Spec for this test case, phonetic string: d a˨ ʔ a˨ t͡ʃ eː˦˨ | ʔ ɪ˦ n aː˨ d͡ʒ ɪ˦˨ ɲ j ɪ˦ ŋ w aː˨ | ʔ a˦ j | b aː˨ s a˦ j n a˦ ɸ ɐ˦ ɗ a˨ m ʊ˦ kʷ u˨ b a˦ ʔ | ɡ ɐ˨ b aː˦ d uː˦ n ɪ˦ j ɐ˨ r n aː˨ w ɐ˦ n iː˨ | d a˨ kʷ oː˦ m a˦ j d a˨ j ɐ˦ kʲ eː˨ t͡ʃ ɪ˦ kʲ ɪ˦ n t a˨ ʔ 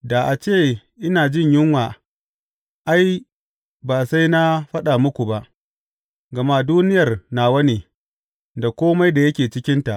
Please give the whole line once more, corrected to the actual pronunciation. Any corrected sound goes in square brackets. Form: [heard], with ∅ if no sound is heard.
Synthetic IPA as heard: d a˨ ʔ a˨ t͡ʃ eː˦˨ | ʔ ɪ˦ n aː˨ d͡ʒ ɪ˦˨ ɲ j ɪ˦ ŋ w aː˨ | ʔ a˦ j | b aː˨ s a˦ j n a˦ ɸ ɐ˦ ɗ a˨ m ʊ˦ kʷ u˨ b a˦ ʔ | ɡ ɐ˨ [m] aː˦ d uː˦ n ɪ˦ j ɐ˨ r n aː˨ w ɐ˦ n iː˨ | d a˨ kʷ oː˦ m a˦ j d a˨ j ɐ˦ kʲ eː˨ t͡ʃ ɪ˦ kʲ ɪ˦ n t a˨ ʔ